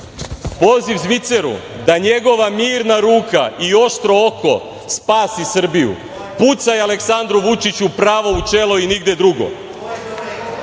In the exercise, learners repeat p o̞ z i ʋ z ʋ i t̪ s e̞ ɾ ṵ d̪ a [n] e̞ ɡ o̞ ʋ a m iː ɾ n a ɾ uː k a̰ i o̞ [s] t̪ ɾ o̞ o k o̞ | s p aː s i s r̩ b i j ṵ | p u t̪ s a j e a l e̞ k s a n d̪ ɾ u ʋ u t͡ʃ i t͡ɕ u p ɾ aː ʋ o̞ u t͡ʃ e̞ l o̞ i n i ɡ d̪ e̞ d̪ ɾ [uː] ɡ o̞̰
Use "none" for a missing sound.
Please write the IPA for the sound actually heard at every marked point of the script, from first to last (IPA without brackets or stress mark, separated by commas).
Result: ɲ, ʃ, u